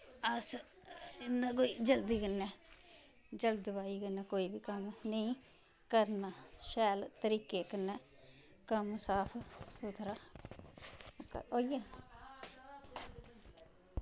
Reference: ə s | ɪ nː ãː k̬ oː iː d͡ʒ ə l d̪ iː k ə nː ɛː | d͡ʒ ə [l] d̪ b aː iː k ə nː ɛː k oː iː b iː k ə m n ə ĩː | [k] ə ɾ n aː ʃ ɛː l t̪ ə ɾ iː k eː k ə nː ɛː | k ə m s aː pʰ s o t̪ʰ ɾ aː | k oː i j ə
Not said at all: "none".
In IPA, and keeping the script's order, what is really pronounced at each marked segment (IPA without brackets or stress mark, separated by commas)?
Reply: l, k